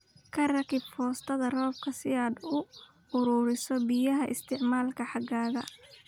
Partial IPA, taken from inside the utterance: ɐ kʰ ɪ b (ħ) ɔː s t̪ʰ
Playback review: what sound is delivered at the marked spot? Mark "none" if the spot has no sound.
f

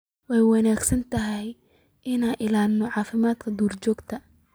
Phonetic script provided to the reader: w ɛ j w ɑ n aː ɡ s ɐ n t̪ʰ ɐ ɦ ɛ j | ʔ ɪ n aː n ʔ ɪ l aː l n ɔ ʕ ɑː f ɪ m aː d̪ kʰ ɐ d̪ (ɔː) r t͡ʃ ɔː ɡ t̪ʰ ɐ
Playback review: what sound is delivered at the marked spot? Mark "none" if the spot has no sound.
uː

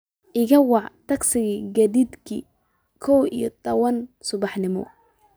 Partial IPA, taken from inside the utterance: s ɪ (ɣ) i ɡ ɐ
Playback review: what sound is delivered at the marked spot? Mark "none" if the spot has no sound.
ɣ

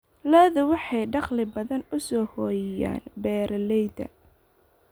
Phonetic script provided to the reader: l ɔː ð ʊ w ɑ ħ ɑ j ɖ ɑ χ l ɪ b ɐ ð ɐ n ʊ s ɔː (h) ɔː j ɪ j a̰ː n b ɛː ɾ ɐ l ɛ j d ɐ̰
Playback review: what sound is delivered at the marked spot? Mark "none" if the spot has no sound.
h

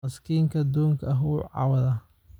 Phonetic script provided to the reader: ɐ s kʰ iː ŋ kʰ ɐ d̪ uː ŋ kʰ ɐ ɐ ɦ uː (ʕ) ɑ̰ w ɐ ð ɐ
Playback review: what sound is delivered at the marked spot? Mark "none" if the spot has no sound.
ʕ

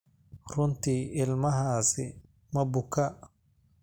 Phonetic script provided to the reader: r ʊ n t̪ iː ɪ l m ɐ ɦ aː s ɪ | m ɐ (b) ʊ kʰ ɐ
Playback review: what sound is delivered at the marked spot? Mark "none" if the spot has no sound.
b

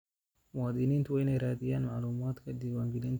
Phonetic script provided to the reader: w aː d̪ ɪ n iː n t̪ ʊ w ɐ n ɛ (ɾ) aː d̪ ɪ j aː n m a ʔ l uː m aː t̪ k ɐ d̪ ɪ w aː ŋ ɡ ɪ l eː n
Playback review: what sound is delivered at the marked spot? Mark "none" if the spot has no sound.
ɾ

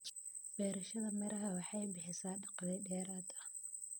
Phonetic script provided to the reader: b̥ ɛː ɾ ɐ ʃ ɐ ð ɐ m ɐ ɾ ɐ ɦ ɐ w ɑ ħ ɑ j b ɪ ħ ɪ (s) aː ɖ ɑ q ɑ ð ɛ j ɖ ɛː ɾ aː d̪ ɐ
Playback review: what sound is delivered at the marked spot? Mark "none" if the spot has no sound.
s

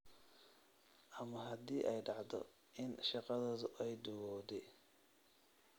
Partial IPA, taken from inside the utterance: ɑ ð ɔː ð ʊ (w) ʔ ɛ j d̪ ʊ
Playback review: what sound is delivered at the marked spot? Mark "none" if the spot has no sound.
none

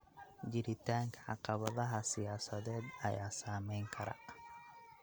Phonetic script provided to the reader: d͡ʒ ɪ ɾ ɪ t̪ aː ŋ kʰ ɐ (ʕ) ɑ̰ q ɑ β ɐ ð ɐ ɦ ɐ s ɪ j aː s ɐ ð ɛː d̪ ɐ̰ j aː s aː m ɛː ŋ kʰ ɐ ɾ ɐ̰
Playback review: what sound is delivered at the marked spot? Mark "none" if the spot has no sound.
ʕ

